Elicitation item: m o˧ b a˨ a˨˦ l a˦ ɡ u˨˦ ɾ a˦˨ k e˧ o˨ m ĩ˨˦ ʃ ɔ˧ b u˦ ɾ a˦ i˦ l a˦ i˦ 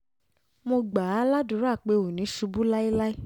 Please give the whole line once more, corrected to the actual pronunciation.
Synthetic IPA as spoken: m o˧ ɡ͡b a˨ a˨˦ l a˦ d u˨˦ ɾ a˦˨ k͡p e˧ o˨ n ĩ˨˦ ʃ u˧ b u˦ l a˦ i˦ l a˦ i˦